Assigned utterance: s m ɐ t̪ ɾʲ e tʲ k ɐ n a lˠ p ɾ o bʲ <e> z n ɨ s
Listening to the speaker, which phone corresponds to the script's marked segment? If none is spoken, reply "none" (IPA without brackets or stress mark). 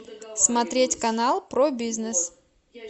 i